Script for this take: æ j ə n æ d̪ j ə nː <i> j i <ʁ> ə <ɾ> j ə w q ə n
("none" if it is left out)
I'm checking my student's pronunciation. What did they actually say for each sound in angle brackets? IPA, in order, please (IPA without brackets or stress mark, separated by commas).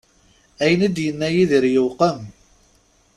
æ, ð, ɾ